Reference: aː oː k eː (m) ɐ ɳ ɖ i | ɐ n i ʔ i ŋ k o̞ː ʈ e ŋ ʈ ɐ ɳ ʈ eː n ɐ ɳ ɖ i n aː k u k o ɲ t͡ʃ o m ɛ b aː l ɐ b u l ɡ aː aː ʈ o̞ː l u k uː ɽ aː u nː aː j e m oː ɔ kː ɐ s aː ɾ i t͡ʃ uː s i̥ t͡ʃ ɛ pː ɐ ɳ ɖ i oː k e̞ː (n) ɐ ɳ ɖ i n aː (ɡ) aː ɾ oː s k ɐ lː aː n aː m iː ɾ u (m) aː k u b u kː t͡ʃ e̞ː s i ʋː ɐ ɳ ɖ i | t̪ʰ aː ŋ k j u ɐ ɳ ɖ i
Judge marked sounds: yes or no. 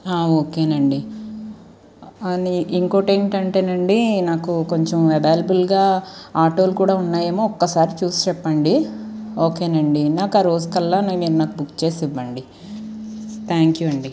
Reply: no, yes, no, no

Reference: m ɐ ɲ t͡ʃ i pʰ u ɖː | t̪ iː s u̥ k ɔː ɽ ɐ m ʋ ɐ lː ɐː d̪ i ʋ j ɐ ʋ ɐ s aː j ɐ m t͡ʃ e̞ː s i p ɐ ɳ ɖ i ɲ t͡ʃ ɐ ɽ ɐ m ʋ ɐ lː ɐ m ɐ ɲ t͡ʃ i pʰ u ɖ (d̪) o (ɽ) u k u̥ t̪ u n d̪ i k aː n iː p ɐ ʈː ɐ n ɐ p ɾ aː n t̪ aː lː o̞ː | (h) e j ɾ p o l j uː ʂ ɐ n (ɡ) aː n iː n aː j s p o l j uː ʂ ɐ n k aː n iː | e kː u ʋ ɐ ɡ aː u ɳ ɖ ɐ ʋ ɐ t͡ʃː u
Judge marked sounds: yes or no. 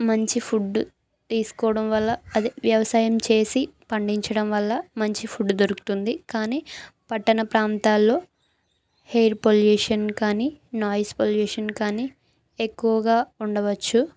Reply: yes, no, yes, no

